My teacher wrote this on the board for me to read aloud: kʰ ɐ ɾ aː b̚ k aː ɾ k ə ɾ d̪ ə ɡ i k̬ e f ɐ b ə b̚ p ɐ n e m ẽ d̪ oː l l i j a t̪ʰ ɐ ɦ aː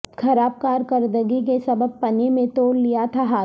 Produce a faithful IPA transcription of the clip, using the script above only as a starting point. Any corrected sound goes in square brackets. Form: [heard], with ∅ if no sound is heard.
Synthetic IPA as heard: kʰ ɐ ɾ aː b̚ k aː ɾ k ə ɾ d̪ ə ɡ i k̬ e [s] ɐ b ə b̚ p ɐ n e m ẽ [t̪] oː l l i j a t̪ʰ [a] ɦ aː